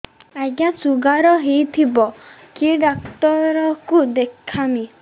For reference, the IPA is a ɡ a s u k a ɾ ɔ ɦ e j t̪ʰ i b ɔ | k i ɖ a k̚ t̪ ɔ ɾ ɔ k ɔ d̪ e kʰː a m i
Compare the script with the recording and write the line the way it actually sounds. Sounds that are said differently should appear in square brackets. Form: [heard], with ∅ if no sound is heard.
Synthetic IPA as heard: a ɡ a s u [ɡ] a ɾ ɔ ɦ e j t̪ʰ i b ɔ | k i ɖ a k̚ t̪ ɔ ɾ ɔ k [u] d̪ e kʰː a m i